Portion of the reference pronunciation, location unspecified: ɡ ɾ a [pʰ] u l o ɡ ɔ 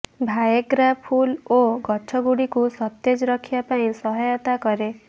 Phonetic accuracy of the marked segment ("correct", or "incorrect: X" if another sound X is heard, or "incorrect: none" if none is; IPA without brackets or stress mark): correct